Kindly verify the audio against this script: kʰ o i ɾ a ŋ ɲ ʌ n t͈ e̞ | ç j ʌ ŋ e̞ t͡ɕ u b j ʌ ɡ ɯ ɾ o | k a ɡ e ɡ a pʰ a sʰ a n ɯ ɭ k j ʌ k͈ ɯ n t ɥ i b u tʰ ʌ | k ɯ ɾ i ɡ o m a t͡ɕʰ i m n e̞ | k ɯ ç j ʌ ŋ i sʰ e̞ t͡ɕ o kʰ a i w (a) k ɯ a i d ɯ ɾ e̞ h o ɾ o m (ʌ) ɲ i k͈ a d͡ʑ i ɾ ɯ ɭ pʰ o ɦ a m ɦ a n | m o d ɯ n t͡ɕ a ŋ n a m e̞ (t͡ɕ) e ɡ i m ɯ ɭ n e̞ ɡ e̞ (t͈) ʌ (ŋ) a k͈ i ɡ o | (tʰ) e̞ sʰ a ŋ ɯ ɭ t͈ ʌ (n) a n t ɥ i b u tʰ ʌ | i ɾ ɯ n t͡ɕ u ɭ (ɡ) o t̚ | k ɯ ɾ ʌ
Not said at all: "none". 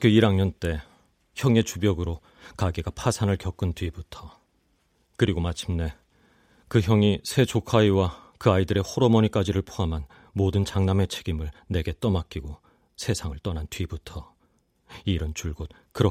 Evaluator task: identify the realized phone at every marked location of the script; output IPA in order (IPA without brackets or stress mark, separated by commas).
a, ʌ, t͡ɕʰ, t͈, m, sʰ, n, ɡ